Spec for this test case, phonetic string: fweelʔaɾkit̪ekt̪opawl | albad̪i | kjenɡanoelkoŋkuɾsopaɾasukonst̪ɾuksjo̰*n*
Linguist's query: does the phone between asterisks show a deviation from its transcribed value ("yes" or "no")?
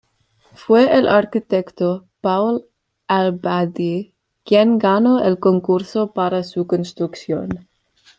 no